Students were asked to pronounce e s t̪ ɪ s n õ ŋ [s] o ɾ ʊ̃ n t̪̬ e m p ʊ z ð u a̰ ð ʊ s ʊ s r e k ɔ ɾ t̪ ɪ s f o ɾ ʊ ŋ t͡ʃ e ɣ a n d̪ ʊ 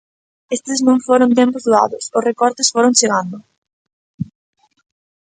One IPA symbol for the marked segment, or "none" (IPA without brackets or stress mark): f